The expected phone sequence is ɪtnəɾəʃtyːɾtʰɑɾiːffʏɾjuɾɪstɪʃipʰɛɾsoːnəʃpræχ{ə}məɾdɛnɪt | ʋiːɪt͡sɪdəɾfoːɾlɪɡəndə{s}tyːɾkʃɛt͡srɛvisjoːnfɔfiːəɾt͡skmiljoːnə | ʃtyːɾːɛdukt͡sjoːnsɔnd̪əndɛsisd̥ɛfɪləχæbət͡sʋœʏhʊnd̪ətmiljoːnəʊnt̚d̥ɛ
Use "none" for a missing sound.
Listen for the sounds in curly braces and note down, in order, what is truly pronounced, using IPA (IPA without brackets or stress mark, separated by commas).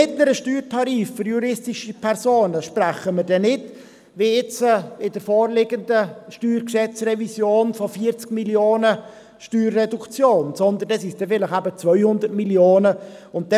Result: ə, ʃ